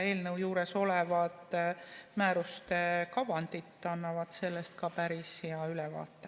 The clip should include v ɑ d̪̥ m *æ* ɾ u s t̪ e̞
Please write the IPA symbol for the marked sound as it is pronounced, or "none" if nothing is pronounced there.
æː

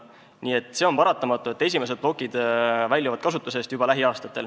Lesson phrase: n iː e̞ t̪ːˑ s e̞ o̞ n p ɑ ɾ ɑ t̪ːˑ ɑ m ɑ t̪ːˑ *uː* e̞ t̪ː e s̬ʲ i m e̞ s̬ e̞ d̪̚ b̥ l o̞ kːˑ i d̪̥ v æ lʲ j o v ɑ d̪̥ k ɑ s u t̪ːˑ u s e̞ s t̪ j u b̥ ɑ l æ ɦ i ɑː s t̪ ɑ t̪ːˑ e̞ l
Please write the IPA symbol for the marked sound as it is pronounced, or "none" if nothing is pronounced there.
u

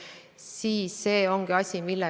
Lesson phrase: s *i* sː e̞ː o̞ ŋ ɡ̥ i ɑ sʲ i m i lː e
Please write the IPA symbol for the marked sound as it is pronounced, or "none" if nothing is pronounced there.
iː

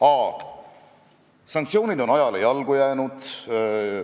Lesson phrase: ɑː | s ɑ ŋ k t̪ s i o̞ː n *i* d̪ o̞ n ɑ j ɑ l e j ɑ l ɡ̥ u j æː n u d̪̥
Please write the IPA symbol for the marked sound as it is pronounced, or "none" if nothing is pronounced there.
i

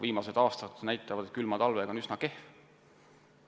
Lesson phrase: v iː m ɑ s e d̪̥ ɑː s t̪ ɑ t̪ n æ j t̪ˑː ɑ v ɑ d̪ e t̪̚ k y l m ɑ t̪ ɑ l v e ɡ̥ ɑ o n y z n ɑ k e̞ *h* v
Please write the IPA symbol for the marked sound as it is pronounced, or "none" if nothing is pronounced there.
h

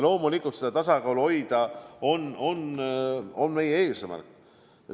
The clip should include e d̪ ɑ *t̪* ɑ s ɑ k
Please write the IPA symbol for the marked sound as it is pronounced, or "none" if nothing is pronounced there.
t̪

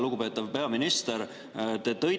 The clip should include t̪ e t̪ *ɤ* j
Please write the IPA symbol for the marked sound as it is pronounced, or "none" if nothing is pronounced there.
ɤ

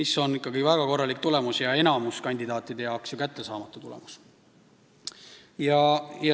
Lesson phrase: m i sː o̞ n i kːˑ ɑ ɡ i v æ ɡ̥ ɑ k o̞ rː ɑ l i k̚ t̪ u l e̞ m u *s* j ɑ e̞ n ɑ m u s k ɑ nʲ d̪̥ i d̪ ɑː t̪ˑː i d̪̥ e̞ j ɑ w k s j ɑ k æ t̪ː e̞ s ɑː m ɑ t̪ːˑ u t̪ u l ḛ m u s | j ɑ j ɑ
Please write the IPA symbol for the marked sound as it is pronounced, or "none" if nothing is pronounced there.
s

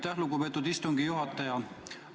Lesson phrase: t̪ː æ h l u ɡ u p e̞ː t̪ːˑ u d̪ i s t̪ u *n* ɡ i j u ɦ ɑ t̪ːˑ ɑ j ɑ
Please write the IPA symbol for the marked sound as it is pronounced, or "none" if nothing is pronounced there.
ŋ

